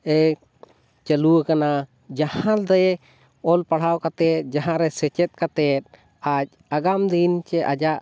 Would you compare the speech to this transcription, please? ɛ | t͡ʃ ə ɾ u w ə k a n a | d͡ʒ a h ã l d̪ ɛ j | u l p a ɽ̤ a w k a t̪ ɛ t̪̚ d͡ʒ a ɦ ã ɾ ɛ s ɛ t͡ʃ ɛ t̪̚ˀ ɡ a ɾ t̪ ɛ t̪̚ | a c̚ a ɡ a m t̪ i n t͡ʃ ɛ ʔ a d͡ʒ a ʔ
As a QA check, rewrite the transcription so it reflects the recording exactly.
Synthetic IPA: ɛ | t͡ʃ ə l u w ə k a n a | d͡ʒ a h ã l d̪ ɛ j | ɔ l p a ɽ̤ a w k a t̪ ɛ t̪̚ d͡ʒ a ɦ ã ɾ ɛ s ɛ t͡ʃ ɛ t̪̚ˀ k a t̪ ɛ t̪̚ | a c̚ a ɡ a m d̪ i n t͡ʃ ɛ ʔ a d͡ʒ a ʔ